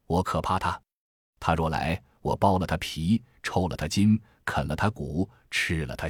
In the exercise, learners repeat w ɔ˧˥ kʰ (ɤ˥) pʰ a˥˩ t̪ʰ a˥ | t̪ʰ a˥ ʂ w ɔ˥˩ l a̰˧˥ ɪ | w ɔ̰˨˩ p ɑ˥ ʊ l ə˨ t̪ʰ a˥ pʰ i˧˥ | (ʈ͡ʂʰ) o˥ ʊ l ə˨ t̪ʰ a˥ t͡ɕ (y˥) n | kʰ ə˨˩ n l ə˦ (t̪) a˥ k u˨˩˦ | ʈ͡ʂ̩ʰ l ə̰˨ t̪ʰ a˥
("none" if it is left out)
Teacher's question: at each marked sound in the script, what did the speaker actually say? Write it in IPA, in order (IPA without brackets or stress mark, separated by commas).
ɤ˨˩, ʈ͡ʂʰ, i˥, t̪ʰ